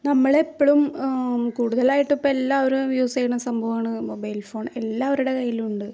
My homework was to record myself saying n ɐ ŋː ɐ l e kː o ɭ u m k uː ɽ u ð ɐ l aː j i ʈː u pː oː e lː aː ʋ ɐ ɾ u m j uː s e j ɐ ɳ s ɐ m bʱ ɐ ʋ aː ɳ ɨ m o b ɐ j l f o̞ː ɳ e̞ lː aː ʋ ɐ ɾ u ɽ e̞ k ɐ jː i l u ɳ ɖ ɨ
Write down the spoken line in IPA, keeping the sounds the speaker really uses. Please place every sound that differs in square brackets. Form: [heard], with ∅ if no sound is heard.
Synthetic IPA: n ɐ [mː] ɐ [ɭ] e [pː] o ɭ u m k uː ɽ u ð ɐ l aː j i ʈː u pː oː e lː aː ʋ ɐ ɾ u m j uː s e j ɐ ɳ s ɐ m bʱ ɐ ʋ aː ɳ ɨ m o b ɐ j l f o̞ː ɳ e̞ lː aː ʋ ɐ ɾ u ɽ e̞ k ɐ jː i l u ɳ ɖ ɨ